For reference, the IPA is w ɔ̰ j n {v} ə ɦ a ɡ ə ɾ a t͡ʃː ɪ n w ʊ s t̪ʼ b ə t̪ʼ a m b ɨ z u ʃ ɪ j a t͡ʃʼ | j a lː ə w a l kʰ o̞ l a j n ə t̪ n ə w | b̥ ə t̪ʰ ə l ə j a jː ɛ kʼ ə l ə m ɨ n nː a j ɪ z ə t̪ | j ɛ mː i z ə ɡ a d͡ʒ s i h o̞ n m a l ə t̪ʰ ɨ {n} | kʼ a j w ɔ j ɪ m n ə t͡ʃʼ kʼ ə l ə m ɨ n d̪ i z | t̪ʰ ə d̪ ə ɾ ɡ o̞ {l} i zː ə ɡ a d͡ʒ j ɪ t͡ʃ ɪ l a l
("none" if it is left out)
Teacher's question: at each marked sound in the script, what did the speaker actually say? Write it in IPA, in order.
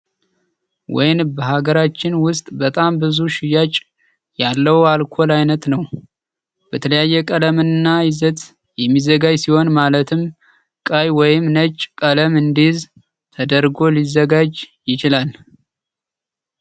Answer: b, m, l

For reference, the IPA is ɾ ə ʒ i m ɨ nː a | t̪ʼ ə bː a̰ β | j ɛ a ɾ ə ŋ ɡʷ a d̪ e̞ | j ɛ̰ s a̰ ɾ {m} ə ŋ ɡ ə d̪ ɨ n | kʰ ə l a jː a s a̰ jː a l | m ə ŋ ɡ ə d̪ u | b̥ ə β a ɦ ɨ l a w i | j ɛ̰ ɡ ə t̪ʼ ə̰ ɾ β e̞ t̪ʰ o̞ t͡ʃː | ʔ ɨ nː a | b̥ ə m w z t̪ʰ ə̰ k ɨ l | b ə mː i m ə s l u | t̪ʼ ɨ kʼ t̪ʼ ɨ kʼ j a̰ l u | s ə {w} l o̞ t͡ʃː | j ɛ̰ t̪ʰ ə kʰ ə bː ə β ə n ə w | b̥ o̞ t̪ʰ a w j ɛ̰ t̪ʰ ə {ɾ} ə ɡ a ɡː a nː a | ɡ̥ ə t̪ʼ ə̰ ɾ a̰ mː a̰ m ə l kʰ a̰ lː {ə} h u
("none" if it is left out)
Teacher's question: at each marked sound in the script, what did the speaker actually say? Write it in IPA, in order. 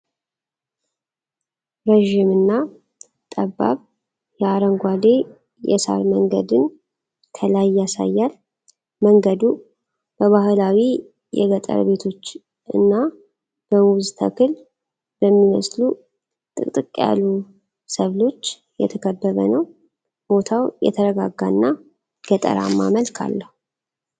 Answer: m, β, ɾ, ə

